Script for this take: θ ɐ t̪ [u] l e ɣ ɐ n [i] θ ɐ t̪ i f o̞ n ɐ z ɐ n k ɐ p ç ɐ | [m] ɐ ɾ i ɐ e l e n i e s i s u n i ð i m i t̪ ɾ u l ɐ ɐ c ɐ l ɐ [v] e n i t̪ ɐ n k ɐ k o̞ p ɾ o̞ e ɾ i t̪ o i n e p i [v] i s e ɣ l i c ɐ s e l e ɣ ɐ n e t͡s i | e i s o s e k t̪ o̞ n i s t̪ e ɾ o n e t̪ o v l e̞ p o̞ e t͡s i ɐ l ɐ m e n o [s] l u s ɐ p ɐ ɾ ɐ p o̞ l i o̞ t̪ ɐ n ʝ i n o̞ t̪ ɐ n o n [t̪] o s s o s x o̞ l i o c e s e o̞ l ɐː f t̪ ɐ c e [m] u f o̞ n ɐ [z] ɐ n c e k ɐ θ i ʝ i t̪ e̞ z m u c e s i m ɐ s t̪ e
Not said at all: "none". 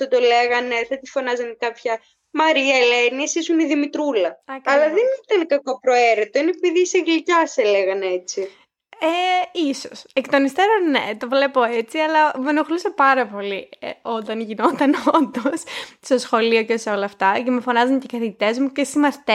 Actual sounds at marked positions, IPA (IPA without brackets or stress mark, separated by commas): o, e, m, ð, ð, x, d̪, m, z